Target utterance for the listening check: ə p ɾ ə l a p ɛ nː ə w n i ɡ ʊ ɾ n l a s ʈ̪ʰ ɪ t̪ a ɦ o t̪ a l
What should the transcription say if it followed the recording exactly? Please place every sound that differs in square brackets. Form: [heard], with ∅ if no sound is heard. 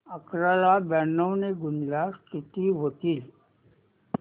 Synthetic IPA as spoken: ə [k] ɾ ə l a [b] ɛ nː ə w n [e] ɡ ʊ [∅] n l a s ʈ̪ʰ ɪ t̪ [i] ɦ o t̪ [i] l